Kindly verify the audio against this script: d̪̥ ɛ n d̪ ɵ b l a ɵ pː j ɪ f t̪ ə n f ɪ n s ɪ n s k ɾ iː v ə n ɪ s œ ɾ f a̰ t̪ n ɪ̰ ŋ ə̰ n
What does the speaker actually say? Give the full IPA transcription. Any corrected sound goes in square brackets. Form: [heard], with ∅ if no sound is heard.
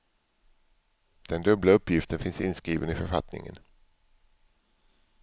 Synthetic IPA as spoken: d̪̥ ɛ n d̪ ɵ b l a ɵ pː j ɪ f t̪ ə n f ɪ n s ɪ n s k ɾ iː v ə n ɪ [f] œ ɾ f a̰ t̪ n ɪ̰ ŋ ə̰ n